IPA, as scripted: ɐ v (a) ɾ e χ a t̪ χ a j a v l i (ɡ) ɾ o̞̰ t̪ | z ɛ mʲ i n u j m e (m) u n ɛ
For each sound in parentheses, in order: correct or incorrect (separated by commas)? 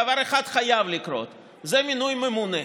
correct, incorrect, correct